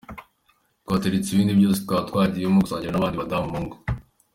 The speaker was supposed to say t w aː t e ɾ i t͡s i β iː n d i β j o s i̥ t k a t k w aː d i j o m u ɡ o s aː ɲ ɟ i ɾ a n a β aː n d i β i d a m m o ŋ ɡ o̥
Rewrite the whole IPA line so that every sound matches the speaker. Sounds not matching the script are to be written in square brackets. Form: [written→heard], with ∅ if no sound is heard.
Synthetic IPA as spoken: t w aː t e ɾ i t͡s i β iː n d i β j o s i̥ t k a t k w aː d i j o m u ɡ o s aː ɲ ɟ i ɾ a n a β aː n d i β [i→a] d a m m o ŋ ɡ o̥